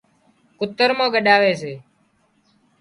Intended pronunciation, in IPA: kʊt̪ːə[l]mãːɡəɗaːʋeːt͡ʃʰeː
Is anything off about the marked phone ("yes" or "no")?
yes